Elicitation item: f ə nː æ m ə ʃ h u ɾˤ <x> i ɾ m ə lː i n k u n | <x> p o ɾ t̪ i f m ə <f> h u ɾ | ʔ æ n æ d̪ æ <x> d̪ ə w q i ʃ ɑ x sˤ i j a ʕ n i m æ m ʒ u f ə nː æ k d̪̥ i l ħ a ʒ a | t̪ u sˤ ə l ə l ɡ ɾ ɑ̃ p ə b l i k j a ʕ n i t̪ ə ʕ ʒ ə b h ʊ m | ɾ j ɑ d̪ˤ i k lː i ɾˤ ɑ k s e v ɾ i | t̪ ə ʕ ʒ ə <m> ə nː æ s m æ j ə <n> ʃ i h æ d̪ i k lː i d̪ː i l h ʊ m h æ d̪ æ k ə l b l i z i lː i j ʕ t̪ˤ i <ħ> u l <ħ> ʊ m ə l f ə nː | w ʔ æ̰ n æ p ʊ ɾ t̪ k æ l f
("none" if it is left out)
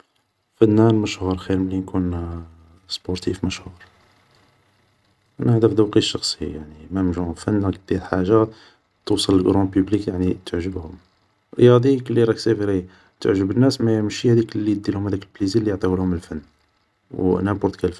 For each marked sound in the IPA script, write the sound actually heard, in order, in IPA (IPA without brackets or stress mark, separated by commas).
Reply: x, s, ʃ, f, b, m, h, h